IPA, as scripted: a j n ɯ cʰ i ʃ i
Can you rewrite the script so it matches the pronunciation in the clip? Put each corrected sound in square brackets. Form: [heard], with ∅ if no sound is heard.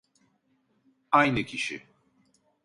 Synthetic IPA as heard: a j n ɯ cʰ i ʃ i